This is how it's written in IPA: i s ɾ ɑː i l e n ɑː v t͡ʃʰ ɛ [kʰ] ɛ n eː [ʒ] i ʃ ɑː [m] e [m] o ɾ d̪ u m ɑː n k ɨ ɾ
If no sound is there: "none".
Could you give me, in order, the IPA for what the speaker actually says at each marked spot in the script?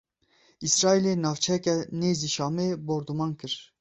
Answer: k, z, m, b

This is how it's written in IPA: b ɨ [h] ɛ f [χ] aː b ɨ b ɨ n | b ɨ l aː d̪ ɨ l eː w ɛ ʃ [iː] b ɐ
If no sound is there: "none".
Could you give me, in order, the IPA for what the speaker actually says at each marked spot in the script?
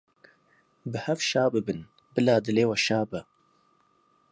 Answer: h, ʃ, aː

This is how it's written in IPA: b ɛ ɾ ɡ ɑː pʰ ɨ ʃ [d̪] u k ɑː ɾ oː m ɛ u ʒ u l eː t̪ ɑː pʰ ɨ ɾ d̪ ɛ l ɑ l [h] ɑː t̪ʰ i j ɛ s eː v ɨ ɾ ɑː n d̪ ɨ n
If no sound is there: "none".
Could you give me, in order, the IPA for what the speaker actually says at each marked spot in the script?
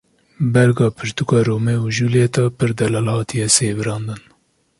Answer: t̪, h

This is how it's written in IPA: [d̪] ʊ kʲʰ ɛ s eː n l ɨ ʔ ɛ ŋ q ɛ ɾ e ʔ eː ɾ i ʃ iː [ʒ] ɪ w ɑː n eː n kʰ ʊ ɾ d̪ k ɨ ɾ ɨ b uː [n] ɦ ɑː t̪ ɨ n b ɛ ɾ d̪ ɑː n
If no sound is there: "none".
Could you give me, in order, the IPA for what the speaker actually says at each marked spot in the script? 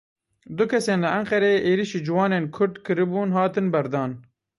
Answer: d̪, d͡ʒ, n

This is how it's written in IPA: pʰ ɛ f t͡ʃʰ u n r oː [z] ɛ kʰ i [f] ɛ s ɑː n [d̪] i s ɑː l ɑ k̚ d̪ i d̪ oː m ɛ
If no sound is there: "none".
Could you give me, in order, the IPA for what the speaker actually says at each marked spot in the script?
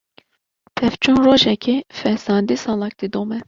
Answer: ʒ, f, d̪

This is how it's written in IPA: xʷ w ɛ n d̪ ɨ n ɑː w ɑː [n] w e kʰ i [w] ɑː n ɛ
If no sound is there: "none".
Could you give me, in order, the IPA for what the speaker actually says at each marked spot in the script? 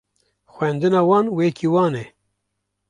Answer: n, w

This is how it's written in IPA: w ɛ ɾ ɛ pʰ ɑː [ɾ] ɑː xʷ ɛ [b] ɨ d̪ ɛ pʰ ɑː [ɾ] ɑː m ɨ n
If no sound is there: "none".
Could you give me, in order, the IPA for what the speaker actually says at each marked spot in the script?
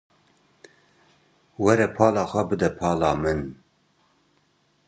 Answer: l, b, l

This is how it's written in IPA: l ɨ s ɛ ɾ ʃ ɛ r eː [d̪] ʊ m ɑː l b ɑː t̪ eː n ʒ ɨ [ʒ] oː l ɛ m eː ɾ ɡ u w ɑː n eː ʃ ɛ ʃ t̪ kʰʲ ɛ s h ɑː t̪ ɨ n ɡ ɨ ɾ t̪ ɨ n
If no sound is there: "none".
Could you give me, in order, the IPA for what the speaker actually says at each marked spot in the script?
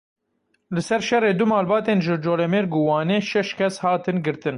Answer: d̪, d͡ʒ

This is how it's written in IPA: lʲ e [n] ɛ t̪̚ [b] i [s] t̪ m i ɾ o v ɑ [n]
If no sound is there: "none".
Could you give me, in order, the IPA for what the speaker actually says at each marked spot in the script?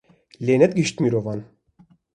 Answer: n, ɡ, ʃ, n

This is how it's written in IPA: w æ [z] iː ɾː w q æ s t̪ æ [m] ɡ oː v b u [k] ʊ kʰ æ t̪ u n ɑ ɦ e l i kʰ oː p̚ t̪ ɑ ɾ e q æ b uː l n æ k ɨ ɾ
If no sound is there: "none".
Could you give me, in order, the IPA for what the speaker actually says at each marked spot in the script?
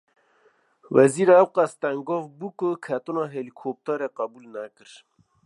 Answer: z, ŋ, k

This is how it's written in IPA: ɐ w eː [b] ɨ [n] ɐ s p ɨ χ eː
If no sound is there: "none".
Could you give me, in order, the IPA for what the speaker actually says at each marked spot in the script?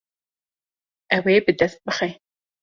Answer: b, d

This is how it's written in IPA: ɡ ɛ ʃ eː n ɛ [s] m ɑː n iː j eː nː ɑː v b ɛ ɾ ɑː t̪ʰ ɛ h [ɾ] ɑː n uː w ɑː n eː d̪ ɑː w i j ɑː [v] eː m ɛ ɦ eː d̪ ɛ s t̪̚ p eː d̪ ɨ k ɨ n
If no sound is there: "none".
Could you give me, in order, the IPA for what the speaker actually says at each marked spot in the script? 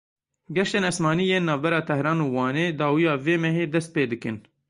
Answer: s, ɾ, v

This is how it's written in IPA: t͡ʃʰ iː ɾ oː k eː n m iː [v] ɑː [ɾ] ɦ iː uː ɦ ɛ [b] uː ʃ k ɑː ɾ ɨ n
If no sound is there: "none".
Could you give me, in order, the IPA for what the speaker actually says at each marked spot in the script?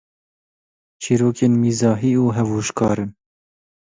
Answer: z, none, v

